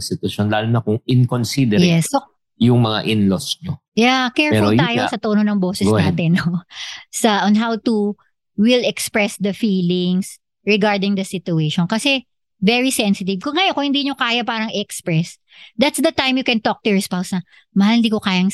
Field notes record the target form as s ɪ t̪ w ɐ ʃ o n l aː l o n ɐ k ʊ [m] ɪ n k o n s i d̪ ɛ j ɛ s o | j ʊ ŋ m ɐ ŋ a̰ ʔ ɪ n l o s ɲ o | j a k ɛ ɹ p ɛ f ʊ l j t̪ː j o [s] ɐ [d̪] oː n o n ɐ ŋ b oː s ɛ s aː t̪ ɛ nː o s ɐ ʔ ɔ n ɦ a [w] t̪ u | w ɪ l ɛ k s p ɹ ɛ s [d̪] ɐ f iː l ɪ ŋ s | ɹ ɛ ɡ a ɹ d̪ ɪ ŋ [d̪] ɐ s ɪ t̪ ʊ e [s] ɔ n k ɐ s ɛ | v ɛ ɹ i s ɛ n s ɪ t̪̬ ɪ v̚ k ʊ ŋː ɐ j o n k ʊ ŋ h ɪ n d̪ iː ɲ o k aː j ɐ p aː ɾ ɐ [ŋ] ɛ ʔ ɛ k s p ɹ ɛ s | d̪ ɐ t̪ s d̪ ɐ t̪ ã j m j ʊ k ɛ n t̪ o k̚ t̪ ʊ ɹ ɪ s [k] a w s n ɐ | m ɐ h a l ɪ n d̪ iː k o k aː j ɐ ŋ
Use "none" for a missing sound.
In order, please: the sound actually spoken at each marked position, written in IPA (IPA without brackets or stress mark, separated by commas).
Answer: ŋ, s, t̪, w, d̪, d̪, ʃ, ŋ, p